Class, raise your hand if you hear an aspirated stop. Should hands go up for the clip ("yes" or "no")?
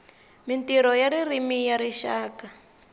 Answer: no